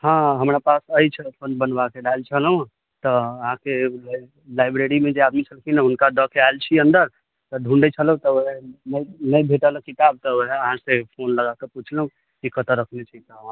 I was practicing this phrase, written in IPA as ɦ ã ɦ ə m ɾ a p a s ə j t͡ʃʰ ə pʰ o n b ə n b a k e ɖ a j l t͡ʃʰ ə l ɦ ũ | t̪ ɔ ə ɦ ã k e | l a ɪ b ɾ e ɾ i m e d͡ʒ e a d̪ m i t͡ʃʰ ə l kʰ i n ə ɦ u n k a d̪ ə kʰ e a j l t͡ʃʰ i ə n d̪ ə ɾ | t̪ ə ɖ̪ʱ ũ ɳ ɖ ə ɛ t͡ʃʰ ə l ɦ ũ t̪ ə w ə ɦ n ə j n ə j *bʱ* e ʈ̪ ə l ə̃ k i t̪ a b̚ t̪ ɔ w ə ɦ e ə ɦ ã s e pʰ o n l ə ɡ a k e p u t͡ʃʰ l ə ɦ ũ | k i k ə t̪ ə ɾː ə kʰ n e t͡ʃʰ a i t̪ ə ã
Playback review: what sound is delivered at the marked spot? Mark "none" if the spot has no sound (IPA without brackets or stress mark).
bʱ